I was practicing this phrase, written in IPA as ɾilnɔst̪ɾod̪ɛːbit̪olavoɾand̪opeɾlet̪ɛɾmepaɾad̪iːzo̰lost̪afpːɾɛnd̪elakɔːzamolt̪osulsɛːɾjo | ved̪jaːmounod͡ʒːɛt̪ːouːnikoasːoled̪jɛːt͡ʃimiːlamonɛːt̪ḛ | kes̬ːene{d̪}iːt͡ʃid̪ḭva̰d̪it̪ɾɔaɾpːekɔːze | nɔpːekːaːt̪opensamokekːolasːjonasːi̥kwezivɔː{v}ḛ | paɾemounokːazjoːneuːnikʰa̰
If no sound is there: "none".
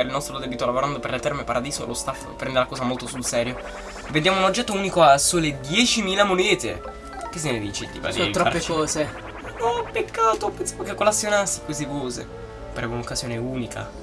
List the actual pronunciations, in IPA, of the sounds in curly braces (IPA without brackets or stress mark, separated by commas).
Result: d̪, z